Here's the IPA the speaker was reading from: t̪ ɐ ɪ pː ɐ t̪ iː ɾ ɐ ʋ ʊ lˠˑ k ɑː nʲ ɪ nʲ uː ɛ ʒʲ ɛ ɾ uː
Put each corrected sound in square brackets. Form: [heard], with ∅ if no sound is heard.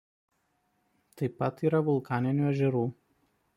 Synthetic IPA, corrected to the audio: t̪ ɐ ɪ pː ɐ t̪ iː ɾ ɐ ʋ ʊ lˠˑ k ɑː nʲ ɪ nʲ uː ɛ ʒʲ ɛ ɾ uː